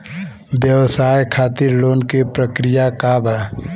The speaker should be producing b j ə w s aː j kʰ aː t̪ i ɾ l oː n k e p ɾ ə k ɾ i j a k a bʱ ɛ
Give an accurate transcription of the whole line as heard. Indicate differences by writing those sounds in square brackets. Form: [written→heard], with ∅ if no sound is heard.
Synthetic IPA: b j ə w s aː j kʰ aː t̪ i ɾ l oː n k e p ɾ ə k ɾ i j a k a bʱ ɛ